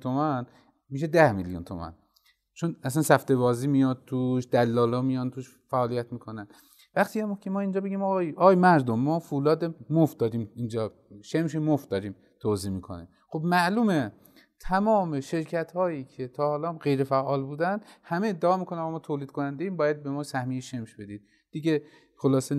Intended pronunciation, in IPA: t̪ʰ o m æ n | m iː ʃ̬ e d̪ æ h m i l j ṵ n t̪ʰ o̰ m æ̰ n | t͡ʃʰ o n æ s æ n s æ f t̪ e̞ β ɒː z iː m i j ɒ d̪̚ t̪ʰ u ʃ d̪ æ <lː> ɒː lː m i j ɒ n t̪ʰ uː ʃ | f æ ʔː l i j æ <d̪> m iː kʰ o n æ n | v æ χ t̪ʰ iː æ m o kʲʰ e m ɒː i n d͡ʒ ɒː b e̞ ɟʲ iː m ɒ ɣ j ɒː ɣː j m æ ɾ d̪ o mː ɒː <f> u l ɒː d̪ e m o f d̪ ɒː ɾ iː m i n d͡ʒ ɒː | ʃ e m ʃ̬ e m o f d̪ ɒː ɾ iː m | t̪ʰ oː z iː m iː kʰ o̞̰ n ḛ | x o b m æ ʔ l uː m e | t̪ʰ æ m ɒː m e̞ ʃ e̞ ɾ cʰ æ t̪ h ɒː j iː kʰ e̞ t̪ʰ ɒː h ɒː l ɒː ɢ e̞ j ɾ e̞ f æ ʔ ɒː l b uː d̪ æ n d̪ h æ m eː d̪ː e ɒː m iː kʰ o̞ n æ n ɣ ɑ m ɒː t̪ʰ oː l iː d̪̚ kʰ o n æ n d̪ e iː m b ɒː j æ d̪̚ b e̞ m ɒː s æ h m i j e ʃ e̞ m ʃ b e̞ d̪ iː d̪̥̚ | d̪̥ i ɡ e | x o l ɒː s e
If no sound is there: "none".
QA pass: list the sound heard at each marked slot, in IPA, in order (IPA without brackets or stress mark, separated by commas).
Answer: lː, t̪, f